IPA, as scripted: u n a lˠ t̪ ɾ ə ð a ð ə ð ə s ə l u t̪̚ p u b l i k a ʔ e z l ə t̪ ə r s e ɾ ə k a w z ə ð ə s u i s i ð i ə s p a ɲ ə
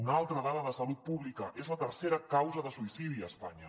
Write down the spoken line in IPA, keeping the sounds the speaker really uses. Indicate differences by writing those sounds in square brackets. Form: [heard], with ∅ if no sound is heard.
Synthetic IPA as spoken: u n a lˠ t̪ ɾ ə ð a ð ə ð ə s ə l u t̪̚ p u [β] l i k [ə] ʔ e z l ə t̪ ə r s e ɾ ə k a w z ə ð ə s u i s i ð i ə s p a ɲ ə